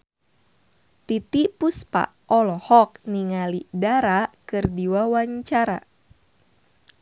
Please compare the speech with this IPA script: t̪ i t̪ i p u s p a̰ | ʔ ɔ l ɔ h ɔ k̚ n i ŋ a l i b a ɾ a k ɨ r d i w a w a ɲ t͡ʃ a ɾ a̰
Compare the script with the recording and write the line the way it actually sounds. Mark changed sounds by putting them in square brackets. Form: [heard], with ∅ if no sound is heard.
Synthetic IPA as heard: t̪ i t̪ i p u s p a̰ | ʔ ɔ l ɔ h ɔ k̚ n i ŋ a l i [d] a ɾ a k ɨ r d i w a w a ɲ t͡ʃ a ɾ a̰